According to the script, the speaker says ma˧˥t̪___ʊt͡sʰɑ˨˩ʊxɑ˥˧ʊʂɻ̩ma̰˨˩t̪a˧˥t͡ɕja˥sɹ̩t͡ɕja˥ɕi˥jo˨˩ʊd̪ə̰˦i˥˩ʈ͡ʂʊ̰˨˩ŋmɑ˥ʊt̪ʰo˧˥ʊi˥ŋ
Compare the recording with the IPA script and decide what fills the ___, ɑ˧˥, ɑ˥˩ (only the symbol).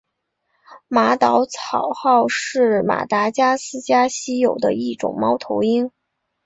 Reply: ɑ˧˥